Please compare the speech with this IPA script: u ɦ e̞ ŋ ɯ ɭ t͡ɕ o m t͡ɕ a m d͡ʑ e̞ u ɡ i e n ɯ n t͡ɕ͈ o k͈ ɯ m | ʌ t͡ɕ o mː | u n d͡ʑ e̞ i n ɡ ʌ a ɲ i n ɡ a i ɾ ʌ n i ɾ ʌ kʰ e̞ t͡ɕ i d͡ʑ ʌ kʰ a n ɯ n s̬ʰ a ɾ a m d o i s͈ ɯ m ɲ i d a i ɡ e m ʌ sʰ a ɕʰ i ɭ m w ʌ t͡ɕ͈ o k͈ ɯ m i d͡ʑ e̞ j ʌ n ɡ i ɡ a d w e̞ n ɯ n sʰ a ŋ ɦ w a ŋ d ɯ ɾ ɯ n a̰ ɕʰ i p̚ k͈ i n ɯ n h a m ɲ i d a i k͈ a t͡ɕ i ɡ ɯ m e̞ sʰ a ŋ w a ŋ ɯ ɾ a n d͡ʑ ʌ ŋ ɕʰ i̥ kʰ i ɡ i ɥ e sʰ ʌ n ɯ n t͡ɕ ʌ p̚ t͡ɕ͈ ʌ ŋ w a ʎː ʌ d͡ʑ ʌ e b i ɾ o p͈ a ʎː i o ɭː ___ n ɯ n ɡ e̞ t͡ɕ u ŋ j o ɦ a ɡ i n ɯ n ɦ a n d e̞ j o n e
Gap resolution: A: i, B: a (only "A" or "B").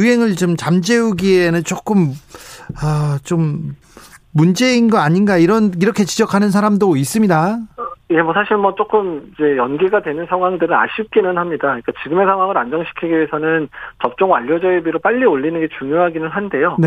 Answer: A